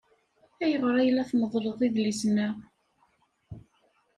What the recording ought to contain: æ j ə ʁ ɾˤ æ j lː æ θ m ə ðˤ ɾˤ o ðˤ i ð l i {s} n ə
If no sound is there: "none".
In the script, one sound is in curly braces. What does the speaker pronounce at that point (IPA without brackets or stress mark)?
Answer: s